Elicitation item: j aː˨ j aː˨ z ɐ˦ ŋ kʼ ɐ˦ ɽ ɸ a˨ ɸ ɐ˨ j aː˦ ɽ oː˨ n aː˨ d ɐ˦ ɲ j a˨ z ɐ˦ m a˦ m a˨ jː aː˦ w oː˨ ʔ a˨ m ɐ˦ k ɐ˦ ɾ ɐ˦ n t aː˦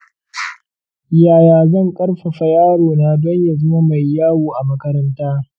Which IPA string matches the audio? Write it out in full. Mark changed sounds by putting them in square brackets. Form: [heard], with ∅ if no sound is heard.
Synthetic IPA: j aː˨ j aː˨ z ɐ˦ ŋ kʼ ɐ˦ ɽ ɸ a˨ ɸ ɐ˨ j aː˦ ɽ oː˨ n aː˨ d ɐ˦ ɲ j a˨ z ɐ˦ m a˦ m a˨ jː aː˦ w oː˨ ʔ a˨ m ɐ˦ k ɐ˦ ɾ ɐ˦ n t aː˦